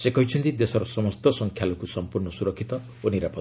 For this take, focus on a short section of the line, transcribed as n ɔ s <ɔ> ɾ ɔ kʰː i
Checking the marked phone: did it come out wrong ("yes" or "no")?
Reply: yes